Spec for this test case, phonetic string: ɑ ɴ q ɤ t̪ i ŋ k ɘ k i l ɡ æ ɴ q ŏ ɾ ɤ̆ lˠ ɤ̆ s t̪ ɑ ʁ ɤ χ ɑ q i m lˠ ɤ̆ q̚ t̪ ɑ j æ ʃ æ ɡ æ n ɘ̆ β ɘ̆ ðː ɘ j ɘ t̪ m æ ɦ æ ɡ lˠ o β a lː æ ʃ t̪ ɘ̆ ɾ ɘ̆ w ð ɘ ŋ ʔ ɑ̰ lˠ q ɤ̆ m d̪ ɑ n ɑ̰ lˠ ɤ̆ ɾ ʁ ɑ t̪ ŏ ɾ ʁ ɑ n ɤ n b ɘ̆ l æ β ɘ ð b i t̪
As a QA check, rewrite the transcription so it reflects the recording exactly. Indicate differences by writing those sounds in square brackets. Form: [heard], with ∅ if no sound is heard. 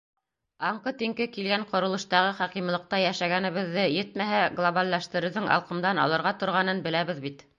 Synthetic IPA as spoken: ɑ ɴ q ɤ t̪ i ŋ k ɘ k i l ɡ æ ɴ q ŏ ɾ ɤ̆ lˠ ɤ̆ [ʃ] t̪ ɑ ʁ ɤ χ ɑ q i m lˠ ɤ̆ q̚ t̪ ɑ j æ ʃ æ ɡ æ n ɘ̆ β ɘ̆ ðː ɘ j ɘ t̪ m æ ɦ æ ɡ lˠ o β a lː æ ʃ t̪ ɘ̆ ɾ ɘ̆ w ð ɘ ŋ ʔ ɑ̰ lˠ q ɤ̆ m d̪ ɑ n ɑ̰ lˠ ɤ̆ ɾ ʁ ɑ t̪ ŏ ɾ ʁ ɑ n ɤ n b ɘ̆ l æ β ɘ ð b i t̪